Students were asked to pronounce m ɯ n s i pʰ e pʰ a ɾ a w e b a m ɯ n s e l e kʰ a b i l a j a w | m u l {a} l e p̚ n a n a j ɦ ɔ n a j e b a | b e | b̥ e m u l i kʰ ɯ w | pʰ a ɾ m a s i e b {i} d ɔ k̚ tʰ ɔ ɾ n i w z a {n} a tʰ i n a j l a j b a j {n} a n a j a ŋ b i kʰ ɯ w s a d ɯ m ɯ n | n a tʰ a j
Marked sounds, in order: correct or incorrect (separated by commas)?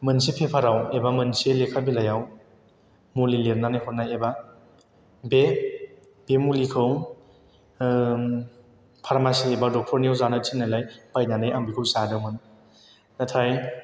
incorrect, incorrect, correct, correct